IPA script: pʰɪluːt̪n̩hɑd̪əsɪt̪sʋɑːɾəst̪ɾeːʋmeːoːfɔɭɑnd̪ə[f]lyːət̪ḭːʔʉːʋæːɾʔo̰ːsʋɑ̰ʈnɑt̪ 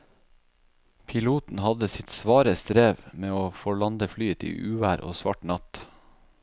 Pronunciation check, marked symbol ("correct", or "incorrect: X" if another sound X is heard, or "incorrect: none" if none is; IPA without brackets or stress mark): correct